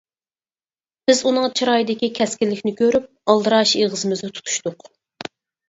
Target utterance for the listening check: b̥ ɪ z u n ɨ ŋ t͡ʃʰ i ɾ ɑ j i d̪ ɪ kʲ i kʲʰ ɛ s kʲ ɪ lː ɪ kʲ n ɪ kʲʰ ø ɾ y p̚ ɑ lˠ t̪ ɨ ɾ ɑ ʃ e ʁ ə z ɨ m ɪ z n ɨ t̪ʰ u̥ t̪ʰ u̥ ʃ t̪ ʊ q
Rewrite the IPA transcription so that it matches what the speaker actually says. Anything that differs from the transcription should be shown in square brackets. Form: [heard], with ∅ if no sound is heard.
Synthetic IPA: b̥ ɪ z u n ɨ ŋ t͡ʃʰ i ɾ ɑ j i d̪ ɪ kʲ i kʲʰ ɛ s kʲ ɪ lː ɪ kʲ n ɪ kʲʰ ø ɾ y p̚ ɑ lˠ [d̪] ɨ ɾ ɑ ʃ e ʁ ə z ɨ m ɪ z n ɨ t̪ʰ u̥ t̪ʰ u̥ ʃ t̪ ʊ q